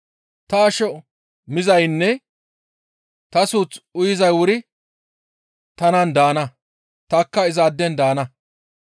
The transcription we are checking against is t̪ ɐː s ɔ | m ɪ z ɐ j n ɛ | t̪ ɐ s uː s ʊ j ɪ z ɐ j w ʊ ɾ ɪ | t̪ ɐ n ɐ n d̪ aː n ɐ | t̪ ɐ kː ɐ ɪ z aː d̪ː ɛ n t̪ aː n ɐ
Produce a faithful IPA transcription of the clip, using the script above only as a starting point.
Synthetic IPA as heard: t̪ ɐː ʃ ɔ | m ɪ z ɐ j nː ɛ | t̪ ɐ s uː t͡s ʊ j ɪ z ɐ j w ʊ ɾ ɪ | t̪ ɐ n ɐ n d̪ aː n ɐ | t̪ ɐ kː ɐ ɪ z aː d̪ː ɛ n d̪ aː n ɐ